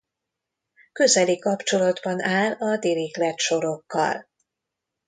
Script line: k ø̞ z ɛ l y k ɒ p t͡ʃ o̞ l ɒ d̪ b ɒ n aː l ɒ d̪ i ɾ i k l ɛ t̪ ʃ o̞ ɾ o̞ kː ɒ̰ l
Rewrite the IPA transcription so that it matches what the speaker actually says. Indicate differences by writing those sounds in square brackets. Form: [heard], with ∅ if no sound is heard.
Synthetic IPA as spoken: k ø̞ z ɛ l [i] k ɒ p t͡ʃ o̞ l ɒ d̪ b ɒ n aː l ɒ d̪ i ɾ i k l ɛ t̪ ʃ o̞ ɾ o̞ kː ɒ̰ l